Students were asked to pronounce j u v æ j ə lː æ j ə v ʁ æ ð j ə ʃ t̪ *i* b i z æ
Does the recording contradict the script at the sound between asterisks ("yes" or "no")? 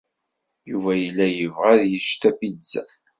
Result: yes